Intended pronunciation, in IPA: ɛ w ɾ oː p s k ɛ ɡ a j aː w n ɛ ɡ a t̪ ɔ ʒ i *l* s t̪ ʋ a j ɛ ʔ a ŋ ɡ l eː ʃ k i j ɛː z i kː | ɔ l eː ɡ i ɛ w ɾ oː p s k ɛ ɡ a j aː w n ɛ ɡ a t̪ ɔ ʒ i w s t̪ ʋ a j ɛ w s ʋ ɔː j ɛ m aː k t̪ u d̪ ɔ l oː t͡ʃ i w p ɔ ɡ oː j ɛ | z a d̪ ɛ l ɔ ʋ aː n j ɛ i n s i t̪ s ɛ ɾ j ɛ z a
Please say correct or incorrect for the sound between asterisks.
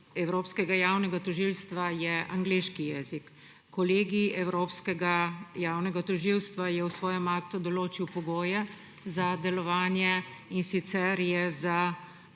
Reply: correct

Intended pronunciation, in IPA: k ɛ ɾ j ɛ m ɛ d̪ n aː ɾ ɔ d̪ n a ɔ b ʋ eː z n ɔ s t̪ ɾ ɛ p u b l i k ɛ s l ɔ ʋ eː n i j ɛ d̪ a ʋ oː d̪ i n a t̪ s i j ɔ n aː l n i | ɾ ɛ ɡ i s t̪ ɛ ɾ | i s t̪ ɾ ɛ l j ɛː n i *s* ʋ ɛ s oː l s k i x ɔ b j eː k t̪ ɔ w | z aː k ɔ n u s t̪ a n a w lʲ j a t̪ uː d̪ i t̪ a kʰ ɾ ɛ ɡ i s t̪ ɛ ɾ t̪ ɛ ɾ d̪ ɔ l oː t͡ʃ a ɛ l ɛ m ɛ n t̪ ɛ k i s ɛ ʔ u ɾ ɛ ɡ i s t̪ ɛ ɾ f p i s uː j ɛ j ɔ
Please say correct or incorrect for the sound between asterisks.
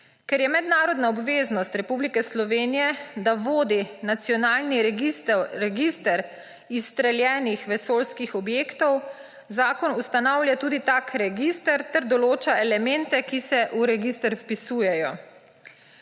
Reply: incorrect: x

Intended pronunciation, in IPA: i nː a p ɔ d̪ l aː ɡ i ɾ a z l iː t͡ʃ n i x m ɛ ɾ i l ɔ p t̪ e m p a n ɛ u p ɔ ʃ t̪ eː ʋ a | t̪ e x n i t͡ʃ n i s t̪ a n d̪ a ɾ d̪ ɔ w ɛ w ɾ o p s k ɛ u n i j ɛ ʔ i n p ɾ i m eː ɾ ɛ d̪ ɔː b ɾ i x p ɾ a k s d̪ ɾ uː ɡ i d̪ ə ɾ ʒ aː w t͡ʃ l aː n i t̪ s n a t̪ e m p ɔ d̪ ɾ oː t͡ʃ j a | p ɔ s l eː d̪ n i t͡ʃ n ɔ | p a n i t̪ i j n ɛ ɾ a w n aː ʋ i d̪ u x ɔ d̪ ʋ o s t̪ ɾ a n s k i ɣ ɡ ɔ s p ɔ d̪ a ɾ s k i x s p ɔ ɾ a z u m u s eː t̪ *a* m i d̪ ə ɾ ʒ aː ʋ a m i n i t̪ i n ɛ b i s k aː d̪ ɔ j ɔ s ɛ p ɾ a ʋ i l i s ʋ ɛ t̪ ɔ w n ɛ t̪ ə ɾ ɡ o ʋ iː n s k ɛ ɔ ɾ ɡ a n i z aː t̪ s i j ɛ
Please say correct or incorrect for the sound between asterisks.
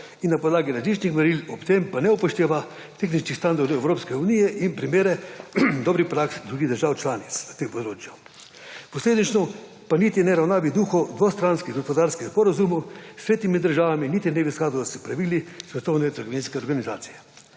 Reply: incorrect: i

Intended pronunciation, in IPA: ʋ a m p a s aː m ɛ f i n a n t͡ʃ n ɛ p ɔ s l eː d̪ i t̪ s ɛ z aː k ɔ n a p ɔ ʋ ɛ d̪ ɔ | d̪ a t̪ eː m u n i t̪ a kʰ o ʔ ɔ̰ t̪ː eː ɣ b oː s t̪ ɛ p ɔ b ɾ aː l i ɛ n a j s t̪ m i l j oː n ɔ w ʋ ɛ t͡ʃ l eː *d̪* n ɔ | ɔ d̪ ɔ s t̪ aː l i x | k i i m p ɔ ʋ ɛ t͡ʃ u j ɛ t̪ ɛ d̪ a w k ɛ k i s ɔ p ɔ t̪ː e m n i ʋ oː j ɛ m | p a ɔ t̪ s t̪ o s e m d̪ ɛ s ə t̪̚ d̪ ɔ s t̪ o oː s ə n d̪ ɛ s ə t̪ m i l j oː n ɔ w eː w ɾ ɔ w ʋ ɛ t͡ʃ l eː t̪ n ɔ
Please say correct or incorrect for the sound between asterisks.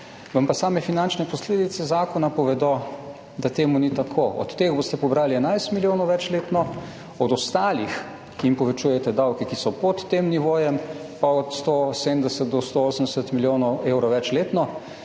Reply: incorrect: t̪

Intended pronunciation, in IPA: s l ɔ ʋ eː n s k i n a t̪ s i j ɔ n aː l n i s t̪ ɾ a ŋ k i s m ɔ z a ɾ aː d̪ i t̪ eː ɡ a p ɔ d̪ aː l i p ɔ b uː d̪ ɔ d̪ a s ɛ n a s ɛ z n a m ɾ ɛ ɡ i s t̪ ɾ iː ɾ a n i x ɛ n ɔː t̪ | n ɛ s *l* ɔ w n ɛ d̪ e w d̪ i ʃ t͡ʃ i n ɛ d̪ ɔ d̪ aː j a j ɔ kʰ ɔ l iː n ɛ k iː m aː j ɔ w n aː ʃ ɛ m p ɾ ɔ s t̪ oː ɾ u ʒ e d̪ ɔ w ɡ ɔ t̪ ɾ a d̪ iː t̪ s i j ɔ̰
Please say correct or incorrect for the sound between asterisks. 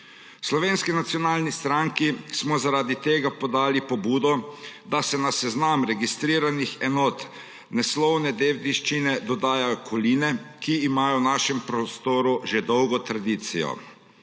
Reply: correct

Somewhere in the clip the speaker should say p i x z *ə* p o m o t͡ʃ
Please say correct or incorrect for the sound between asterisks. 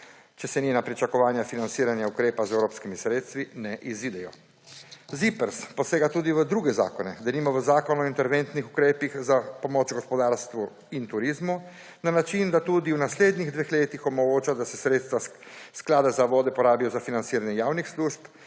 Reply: incorrect: a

